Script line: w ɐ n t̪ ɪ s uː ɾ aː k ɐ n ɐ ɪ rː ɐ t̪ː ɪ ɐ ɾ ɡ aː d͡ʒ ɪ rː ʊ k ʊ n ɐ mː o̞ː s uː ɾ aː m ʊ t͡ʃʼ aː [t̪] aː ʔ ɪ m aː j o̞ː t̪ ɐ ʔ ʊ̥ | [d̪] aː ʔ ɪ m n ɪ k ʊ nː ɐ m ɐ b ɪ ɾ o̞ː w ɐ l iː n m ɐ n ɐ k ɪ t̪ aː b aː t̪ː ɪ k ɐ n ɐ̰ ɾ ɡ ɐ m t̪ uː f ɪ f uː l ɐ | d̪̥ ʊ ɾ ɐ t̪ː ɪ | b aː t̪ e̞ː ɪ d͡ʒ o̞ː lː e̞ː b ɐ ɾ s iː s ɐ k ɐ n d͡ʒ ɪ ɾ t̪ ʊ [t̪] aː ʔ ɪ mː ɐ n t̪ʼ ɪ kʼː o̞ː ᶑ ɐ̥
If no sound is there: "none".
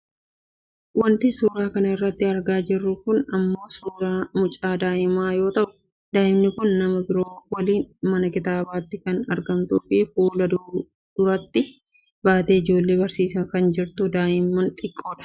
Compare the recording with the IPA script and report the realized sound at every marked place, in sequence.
d̪, d̪, d̪

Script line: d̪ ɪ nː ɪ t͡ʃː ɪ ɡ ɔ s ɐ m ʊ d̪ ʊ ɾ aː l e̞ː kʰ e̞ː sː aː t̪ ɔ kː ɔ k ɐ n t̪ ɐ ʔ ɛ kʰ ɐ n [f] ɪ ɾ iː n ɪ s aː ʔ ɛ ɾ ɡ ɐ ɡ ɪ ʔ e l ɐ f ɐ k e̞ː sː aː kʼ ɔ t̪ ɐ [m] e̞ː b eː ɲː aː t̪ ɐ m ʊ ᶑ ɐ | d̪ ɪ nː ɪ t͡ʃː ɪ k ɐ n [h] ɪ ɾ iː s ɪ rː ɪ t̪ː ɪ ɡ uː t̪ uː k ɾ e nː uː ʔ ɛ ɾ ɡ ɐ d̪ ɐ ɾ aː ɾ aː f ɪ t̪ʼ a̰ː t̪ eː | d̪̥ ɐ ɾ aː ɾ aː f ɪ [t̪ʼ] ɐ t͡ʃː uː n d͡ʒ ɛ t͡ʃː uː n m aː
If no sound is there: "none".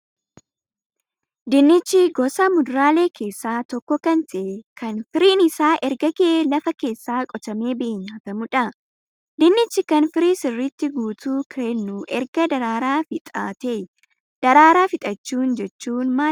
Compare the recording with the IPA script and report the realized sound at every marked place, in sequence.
f, m, f, t̪ʼ

